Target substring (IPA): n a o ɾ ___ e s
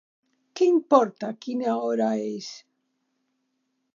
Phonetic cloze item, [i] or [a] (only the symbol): a